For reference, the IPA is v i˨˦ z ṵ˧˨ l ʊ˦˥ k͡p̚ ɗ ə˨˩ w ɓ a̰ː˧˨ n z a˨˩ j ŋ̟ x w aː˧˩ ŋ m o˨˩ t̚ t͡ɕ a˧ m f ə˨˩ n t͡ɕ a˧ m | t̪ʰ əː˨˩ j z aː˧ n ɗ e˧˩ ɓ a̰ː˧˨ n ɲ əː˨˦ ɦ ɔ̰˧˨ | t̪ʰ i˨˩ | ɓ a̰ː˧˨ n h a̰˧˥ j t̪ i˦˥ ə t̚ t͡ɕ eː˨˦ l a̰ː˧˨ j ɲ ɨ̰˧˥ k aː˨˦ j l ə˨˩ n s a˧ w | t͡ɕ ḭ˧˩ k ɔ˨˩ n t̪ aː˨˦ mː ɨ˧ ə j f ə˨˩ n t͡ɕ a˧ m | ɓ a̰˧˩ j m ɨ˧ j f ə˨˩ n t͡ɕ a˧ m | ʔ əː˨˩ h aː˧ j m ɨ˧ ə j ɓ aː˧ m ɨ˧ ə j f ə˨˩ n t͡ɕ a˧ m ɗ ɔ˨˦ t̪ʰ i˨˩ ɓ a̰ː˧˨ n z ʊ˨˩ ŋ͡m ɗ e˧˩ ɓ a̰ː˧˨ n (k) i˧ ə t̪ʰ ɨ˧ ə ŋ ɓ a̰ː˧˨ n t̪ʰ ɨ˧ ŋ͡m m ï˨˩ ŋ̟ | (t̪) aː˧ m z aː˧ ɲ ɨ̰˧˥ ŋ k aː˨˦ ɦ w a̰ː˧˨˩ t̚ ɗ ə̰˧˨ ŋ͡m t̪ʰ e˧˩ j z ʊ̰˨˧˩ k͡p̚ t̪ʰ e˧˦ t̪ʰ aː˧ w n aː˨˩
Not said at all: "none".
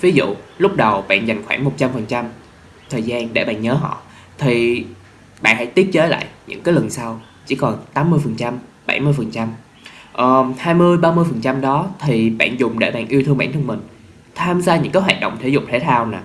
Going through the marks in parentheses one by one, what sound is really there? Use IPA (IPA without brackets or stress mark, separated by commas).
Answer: ʔ, t̪ʰ